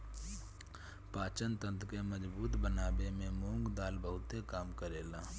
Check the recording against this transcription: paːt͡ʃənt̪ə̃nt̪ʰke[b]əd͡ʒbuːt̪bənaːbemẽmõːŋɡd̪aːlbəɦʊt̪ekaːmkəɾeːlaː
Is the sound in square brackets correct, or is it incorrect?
incorrect